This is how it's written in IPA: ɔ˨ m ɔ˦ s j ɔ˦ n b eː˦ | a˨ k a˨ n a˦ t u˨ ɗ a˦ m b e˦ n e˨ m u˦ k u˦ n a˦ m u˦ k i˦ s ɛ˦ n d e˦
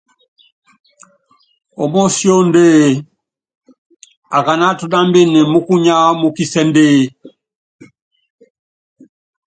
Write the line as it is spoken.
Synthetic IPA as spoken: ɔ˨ m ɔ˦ s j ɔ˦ n d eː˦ | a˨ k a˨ n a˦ t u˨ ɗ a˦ m b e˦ n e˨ m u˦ k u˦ ɲ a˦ m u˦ k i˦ s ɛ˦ n d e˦